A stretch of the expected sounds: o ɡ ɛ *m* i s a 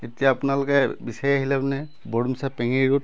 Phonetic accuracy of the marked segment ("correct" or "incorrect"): incorrect